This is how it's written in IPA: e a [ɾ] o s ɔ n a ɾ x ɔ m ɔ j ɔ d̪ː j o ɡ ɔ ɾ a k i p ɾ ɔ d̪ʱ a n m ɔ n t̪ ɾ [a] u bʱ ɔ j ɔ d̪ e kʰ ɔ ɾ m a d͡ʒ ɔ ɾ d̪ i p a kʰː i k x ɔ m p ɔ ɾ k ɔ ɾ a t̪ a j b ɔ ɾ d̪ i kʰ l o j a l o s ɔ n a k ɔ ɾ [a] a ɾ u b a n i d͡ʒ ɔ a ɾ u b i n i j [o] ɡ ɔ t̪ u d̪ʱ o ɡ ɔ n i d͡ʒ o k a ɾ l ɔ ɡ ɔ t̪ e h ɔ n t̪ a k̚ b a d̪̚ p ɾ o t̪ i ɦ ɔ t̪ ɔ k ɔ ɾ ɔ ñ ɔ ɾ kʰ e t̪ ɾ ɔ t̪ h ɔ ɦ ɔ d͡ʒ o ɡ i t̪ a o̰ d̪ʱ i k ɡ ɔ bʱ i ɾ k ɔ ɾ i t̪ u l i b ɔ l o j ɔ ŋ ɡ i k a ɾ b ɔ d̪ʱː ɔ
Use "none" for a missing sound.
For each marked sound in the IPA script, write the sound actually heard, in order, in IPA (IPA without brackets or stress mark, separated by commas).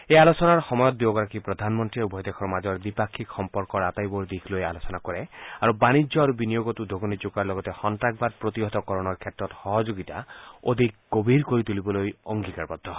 l, i, e, o